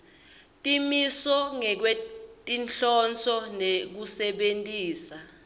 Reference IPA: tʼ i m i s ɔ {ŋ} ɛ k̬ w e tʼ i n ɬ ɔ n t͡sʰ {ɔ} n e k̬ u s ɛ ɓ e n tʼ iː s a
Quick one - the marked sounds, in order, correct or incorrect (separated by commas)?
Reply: correct, correct